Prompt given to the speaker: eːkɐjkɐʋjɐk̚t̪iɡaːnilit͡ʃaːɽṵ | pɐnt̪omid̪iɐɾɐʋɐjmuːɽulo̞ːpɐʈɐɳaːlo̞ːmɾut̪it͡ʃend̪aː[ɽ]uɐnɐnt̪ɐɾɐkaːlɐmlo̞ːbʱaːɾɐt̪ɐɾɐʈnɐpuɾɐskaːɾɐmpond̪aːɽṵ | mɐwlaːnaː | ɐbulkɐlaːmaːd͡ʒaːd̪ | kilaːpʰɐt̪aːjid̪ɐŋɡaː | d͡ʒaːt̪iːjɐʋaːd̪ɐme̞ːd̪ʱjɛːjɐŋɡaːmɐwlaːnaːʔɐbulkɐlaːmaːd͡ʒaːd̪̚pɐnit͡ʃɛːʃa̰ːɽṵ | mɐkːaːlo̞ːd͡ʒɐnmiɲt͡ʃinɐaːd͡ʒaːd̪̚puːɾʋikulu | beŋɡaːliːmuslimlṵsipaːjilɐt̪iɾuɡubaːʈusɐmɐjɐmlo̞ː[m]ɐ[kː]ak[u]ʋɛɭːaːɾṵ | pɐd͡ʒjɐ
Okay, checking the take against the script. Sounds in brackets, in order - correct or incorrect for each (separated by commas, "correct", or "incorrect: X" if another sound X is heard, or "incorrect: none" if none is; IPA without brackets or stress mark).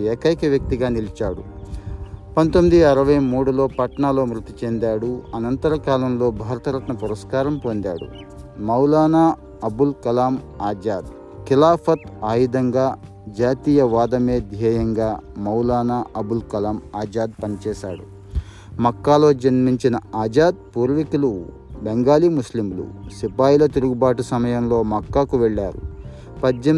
correct, correct, correct, correct